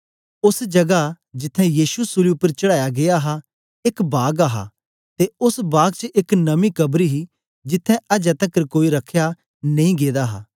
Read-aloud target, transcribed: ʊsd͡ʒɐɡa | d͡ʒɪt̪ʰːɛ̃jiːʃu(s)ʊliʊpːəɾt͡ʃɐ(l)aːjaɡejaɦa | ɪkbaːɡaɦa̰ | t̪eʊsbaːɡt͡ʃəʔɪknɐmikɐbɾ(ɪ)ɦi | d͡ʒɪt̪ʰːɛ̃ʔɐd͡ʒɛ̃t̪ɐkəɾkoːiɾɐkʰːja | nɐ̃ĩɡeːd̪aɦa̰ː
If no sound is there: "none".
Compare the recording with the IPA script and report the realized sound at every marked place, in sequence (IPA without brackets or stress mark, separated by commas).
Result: s, ɽ, i